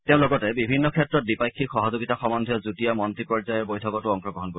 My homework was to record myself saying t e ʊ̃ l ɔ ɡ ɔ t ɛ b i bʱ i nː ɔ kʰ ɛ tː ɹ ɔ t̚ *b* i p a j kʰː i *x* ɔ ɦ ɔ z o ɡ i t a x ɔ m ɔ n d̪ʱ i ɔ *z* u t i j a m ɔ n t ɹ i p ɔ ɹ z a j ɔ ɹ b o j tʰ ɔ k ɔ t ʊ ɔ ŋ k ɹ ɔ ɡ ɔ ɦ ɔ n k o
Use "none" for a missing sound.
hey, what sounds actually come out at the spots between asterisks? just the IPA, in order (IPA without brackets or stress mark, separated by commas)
d, x, z